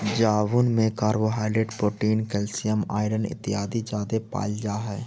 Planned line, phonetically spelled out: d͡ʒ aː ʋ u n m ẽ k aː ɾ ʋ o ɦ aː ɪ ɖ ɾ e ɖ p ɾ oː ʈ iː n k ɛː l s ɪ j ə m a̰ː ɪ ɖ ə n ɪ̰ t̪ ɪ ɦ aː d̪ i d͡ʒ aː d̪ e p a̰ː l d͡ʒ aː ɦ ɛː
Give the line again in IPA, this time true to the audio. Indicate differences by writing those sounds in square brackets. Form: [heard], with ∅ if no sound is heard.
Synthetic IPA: d͡ʒ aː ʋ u n m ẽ k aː ɾ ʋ o ɦ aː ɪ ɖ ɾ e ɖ p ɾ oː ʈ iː n k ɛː l s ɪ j ə m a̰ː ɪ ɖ ə n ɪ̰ t̪ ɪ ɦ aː d̪ i d͡ʒ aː d̪ e p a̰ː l d͡ʒ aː ɦ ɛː